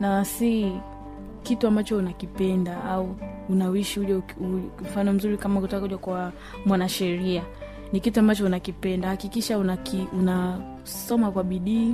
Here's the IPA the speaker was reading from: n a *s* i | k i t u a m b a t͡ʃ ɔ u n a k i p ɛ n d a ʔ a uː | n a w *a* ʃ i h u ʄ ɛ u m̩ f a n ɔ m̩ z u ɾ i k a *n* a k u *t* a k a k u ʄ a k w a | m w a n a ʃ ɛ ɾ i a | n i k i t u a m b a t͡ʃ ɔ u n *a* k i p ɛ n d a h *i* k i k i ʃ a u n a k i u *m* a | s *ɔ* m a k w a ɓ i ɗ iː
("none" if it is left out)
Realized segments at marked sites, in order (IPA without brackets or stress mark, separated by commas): s, i, m, t, a, a, n, ɔ